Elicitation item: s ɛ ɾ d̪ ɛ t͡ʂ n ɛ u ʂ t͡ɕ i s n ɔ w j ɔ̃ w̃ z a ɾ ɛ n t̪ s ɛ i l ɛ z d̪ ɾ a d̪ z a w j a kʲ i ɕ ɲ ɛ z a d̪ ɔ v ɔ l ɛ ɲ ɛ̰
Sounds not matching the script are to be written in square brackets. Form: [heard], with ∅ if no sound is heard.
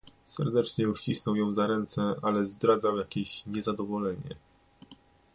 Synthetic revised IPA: s ɛ ɾ d̪ ɛ t͡ʂ [ɲ] ɛ u [ɕ] t͡ɕ i s n ɔ w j ɔ̃ w̃ z a ɾ ɛ n t̪ s ɛ [a] l ɛ z d̪ ɾ a d̪ z a w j a kʲ [e] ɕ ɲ ɛ z a d̪ ɔ v ɔ l ɛ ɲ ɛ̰